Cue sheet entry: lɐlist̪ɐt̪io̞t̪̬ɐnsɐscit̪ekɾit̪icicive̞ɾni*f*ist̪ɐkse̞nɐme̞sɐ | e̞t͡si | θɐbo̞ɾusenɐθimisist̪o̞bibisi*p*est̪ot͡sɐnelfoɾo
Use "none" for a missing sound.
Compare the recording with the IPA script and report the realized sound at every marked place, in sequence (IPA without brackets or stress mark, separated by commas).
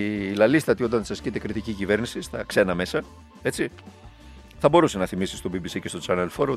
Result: s, c